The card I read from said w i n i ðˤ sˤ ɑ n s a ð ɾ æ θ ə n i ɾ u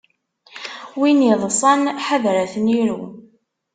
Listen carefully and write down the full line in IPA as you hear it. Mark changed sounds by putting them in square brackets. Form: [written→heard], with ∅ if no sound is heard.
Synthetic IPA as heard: w i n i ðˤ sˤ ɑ n [s→ħ] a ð ɾ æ θ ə n i ɾ u